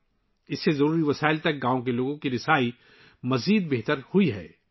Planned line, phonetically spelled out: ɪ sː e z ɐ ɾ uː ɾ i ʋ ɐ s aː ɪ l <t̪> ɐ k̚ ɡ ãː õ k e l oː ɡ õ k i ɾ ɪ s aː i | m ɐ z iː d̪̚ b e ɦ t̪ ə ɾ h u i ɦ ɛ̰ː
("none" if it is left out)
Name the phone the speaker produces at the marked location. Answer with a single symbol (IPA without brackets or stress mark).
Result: t̪